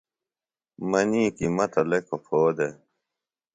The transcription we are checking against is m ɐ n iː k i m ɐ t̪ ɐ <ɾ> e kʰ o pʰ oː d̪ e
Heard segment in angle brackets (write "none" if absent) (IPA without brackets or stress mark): l